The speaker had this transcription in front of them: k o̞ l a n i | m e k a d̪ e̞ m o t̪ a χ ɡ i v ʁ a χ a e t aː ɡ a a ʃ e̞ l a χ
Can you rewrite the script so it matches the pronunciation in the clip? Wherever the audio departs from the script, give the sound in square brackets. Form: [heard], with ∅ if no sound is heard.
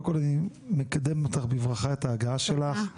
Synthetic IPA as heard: k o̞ l a n i | m e k a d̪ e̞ m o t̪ a χ [b] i v ʁ a χ a e t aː ɡ a a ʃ e̞ l a χ